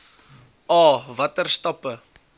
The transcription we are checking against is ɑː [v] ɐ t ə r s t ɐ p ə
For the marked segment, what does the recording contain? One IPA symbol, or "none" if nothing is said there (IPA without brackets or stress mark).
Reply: v